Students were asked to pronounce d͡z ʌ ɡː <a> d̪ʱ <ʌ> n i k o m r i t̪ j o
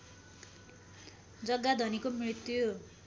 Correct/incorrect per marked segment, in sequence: correct, correct

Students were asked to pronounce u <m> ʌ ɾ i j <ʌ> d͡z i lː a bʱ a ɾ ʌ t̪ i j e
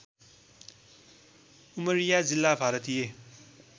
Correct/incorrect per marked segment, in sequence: correct, incorrect

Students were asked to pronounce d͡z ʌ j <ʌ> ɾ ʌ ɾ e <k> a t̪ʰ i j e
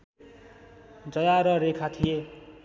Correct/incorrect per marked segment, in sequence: incorrect, incorrect

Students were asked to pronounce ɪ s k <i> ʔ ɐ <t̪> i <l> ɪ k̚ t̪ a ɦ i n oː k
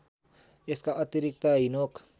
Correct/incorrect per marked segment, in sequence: incorrect, correct, incorrect

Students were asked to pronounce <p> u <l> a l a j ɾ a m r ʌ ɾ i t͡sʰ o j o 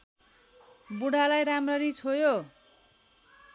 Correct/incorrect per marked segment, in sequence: incorrect, incorrect

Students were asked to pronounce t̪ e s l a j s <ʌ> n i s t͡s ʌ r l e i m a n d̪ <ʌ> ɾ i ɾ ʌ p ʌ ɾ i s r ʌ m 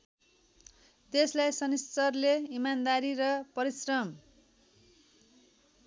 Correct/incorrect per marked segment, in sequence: correct, incorrect

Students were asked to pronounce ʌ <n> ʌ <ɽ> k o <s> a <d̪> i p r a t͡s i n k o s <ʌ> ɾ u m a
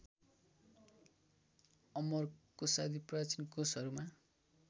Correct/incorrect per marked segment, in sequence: incorrect, incorrect, correct, correct, correct

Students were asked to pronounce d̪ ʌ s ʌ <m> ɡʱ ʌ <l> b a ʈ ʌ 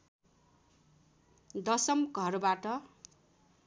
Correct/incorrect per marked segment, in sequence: correct, incorrect

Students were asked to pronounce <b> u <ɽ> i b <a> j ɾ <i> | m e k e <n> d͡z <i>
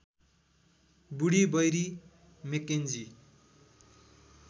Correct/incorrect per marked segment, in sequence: correct, correct, incorrect, correct, correct, correct

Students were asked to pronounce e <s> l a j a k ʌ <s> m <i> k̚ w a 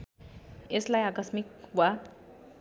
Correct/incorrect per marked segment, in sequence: correct, correct, correct

